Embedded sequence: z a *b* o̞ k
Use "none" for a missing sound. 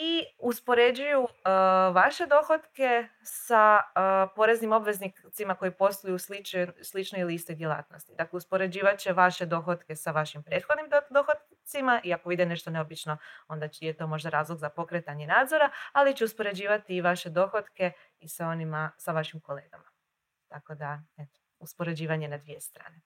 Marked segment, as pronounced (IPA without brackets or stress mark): p